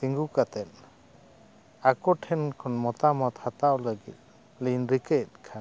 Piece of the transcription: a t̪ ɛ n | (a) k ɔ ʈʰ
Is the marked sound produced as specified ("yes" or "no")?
yes